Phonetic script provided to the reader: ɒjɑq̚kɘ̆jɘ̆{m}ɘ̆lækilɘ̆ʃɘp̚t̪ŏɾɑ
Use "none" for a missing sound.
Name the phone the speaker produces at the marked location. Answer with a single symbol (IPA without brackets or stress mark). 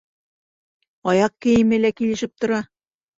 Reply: m